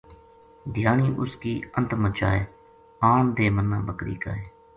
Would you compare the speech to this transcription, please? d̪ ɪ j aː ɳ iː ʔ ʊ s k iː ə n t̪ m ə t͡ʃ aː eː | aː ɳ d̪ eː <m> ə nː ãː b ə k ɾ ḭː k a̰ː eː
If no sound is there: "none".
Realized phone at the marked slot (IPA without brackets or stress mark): m